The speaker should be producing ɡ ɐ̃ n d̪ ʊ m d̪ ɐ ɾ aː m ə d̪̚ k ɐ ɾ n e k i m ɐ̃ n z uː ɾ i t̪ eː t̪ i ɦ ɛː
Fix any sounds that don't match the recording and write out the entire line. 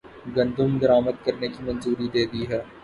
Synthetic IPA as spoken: ɡ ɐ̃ n d̪ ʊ m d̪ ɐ ɾ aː m ə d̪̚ k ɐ ɾ n e k i m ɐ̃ n z uː ɾ i d̪ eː d̪ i ɦ ɛː